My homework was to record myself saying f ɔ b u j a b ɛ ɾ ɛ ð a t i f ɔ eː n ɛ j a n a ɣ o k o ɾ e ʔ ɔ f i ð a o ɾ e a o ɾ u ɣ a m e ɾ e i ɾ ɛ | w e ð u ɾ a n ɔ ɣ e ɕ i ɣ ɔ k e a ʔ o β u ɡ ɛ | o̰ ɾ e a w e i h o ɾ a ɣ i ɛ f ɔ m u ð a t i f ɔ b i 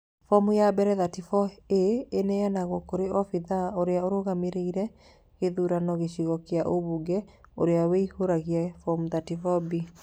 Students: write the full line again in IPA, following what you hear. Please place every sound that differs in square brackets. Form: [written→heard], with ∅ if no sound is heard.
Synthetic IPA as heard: f ɔ [b→m] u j a b ɛ ɾ ɛ ð a t i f ɔ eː n ɛ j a n a ɣ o k o ɾ e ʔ ɔ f i ð a o ɾ e a o ɾ [u→o] ɣ a m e ɾ e i ɾ ɛ | [w→ɣ] e ð u ɾ a n ɔ ɣ e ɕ i ɣ ɔ k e a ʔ o β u ɡ ɛ | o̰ ɾ e a w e i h o ɾ a ɣ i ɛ f ɔ m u ð a t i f ɔ b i